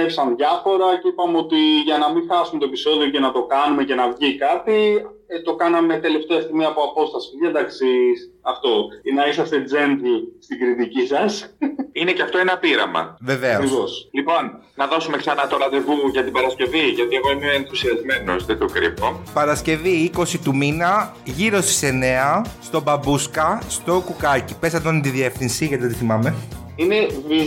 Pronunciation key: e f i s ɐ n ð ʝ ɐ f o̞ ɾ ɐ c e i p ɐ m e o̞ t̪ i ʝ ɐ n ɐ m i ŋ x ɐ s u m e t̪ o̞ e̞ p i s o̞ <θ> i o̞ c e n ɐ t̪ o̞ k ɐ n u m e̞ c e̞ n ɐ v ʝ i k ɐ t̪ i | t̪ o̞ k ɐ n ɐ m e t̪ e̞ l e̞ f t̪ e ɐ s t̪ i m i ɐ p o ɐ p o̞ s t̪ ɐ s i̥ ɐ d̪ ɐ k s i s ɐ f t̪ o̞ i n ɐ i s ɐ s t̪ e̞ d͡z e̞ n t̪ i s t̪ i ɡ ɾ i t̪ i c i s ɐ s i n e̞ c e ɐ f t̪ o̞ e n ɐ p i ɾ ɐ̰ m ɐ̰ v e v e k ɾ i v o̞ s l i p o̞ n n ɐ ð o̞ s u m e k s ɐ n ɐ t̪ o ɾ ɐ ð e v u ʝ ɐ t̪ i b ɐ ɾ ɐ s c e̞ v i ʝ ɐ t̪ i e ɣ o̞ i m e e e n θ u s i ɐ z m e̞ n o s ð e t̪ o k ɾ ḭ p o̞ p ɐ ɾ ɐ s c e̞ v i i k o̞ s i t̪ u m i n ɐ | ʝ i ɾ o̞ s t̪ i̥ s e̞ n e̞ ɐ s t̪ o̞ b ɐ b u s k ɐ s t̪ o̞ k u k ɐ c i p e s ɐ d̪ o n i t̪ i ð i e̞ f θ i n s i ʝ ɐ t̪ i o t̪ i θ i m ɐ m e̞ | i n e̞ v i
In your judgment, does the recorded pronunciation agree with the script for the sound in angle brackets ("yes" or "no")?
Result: no